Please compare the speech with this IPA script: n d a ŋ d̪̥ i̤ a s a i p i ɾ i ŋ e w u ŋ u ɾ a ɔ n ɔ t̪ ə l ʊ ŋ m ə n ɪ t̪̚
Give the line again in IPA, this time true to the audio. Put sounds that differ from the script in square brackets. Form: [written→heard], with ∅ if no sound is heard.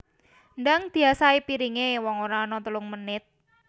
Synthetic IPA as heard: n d a ŋ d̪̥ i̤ a s a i p i ɾ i ŋ e w [u→ɔ] ŋ [u→o] ɾ a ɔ n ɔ t̪ ə l ʊ ŋ m ə n ɪ t̪̚